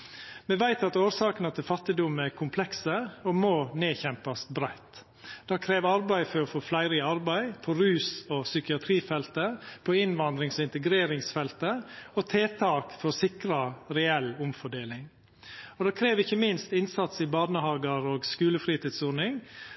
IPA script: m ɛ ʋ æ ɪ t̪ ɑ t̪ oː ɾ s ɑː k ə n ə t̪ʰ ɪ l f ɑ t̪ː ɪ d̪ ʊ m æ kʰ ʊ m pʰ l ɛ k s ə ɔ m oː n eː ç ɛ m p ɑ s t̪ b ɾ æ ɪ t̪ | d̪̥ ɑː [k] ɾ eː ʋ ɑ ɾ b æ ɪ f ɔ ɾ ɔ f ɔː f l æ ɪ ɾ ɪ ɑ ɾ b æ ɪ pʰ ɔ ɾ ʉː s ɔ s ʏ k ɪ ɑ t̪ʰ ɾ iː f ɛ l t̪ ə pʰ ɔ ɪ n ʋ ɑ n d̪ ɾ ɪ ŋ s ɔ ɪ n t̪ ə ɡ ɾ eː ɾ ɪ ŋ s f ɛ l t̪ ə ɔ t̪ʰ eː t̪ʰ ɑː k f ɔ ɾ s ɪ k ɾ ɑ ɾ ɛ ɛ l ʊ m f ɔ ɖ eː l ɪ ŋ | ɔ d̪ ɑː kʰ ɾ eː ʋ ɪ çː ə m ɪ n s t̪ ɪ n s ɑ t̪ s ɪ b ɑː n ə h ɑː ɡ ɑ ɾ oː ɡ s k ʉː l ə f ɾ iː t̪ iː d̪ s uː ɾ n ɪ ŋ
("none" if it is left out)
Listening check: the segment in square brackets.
kʰ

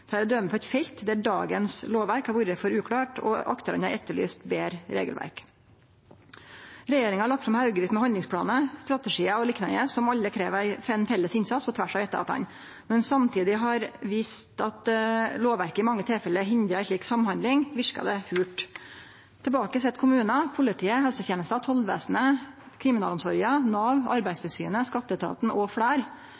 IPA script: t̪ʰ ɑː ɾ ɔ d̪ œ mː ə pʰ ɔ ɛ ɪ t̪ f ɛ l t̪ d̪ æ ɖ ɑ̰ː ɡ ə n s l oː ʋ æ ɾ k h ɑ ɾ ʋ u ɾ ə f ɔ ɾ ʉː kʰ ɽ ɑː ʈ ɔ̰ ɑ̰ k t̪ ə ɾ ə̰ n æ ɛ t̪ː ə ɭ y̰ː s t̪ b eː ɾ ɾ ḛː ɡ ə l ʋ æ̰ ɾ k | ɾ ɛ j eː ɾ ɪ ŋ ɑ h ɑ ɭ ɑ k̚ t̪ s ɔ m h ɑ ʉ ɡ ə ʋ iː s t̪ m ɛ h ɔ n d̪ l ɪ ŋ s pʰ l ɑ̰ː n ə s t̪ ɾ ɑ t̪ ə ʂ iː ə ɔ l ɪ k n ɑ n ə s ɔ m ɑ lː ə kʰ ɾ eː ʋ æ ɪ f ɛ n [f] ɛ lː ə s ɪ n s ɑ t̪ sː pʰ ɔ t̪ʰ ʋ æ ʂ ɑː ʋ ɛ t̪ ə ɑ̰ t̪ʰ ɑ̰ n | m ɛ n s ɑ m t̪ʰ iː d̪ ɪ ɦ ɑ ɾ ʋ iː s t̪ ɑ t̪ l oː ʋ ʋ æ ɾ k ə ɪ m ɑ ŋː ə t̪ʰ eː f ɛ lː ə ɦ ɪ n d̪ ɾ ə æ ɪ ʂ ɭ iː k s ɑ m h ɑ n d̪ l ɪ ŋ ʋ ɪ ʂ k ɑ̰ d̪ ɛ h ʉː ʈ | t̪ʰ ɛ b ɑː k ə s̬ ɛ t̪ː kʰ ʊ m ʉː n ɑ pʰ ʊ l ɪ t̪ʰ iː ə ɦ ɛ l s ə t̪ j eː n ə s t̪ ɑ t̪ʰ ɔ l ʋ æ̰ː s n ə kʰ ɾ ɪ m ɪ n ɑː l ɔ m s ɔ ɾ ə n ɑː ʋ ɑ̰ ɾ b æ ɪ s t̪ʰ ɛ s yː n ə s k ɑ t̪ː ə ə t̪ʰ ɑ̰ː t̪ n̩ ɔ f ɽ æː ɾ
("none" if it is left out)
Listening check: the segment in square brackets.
f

